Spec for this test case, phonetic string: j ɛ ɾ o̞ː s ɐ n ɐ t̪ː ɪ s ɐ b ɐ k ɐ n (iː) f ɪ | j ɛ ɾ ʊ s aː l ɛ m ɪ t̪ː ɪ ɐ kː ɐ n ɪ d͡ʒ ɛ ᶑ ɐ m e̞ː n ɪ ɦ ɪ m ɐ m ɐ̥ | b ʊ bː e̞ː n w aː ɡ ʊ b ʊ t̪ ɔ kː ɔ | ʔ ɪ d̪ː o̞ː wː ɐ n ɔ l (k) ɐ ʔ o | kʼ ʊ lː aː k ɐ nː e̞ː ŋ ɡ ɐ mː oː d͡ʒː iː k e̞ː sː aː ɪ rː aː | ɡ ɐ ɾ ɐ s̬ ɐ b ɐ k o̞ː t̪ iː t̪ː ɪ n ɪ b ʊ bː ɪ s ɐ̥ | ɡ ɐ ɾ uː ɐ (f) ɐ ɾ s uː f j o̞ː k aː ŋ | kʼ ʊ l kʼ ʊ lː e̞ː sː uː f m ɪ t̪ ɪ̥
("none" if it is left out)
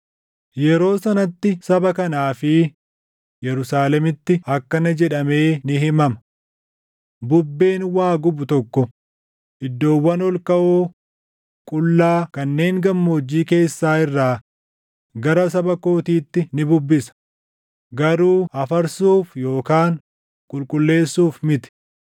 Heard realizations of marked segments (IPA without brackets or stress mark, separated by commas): aː, k, f